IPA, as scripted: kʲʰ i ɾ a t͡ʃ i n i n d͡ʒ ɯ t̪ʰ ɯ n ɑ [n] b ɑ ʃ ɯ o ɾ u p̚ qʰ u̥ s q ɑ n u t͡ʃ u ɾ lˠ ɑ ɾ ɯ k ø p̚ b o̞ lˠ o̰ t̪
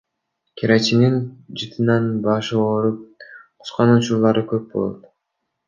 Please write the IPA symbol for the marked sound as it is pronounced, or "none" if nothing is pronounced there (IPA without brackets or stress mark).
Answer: n